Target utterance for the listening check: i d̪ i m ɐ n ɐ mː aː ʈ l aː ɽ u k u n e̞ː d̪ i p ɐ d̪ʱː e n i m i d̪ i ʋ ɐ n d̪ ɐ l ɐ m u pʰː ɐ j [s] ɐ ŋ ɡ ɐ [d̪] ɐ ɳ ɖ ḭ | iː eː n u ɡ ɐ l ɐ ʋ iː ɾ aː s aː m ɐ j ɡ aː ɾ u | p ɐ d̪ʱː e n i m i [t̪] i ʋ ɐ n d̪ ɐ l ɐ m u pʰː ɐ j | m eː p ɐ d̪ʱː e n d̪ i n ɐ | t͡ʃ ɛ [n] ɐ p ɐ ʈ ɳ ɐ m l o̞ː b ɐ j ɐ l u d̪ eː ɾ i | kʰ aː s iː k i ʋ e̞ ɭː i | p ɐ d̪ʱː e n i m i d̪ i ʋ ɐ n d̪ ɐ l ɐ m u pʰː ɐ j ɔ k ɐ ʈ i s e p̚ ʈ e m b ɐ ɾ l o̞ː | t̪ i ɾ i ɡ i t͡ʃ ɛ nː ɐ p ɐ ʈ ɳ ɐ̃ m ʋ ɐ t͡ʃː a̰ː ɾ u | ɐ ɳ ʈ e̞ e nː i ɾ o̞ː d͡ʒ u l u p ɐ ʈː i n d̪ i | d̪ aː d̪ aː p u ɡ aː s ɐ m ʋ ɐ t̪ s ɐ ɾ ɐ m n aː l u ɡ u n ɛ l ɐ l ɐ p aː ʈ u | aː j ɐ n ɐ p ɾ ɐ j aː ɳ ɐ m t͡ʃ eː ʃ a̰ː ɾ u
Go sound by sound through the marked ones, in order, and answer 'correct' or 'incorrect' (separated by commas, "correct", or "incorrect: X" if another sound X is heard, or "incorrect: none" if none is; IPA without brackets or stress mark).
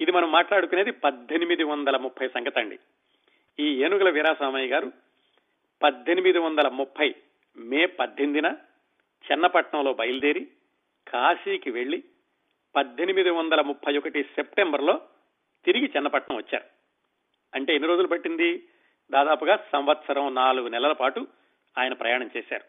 correct, incorrect: t̪, incorrect: d̪, incorrect: nː